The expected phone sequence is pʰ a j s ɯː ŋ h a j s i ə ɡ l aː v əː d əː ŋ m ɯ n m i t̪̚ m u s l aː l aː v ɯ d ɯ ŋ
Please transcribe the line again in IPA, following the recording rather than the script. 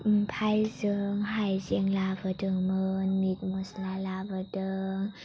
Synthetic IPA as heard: pʰ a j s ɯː ŋ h a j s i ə ŋ l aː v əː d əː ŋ m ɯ n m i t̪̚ m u s l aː l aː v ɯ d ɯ ŋ